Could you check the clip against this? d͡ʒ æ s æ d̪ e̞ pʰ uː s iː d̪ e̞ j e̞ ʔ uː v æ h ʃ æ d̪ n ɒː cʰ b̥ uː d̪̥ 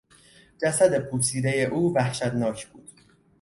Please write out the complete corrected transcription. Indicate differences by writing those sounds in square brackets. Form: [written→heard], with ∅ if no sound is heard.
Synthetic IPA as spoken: d͡ʒ æ s æ d̪ e̞ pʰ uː s iː d̪ e̞ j e̞ ʔ uː v æ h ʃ æ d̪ n ɒː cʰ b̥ uː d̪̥